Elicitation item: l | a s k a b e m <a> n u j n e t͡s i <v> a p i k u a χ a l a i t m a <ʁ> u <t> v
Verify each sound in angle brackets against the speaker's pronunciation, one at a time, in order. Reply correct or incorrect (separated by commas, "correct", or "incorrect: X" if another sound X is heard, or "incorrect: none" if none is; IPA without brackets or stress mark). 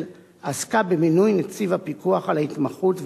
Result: incorrect: i, correct, incorrect: χ, correct